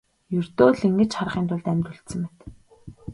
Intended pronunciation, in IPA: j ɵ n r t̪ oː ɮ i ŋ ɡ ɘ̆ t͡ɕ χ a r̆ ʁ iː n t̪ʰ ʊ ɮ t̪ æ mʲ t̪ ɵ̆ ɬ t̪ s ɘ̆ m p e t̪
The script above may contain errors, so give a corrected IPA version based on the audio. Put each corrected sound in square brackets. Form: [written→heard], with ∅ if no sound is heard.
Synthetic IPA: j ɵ [n→∅] r t̪ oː ɮ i ŋ ɡ ɘ̆ t͡ɕ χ a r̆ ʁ iː n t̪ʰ ʊ ɮ t̪ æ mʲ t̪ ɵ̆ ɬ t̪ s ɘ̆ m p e t̪